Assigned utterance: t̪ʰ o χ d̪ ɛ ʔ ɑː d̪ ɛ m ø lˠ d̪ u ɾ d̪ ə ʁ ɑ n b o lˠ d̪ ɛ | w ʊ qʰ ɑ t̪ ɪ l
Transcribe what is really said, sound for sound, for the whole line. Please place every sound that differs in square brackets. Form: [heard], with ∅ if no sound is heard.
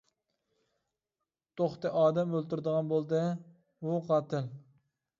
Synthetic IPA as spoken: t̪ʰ o χ [t̪] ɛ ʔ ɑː d̪ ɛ m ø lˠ [t̪] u ɾ d̪ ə ʁ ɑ n b o lˠ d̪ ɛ | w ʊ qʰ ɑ t̪ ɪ l